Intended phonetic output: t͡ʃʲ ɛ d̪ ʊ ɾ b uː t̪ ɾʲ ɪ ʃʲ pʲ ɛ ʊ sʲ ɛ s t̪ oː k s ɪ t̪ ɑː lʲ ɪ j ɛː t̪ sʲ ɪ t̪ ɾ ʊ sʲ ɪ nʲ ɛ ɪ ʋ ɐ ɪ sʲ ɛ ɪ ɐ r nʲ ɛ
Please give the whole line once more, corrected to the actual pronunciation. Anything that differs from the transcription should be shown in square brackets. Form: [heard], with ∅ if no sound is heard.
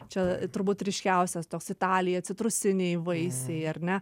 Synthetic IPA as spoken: t͡ʃʲ ɛ [t̪] ʊ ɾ b uː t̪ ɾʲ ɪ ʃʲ [kʲ] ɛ ʊ sʲ ɛ s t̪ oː k s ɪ t̪ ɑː lʲ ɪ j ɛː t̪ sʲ ɪ t̪ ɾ ʊ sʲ ɪ nʲ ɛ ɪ ʋ ɐ ɪ sʲ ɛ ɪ ɐ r nʲ ɛ